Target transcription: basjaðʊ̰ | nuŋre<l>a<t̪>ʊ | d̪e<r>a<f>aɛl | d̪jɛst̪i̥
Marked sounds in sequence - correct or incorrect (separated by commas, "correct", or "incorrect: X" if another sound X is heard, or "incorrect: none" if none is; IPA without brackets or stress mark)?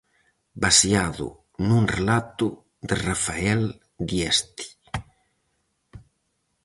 correct, correct, correct, correct